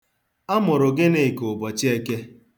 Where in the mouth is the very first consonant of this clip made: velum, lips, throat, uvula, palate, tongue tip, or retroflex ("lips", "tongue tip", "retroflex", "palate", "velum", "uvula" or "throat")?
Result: lips